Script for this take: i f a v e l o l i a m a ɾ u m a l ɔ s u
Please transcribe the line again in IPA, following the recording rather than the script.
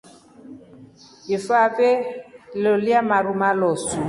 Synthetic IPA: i f a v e l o l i a m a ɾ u m a l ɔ s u